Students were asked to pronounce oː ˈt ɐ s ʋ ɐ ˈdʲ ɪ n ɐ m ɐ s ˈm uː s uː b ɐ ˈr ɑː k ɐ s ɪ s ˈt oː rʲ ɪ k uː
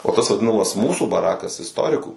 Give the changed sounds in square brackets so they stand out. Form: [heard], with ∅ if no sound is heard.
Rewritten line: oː ˈt ɐ s ʋ ɐ ˈdʲ ɪ n ɐ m ɐ s ˈm uː s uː b ɐ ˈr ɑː k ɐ s ɪ s ˈt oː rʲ ɪ k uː